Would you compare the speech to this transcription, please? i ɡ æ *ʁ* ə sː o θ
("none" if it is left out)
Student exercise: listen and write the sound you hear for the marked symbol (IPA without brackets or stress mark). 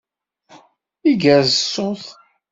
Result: z